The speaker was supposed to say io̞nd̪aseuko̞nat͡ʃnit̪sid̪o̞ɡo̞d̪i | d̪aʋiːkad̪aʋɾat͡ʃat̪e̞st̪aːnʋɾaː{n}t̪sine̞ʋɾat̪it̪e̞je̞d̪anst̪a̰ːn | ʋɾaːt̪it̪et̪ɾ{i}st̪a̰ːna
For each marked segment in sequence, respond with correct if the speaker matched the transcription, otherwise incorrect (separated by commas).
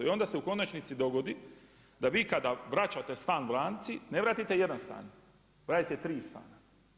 correct, incorrect